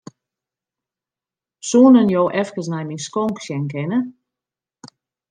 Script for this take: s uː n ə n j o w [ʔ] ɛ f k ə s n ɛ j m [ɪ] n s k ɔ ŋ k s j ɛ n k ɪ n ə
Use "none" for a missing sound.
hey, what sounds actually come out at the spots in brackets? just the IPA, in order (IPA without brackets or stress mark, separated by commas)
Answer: ʔ, i